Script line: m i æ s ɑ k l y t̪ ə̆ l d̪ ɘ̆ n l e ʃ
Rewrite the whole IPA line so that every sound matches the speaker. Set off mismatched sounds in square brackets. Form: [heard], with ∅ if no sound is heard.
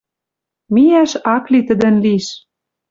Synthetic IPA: m i æ [ʃ] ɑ k l [i] t̪ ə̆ [∅] d̪ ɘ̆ n l [i] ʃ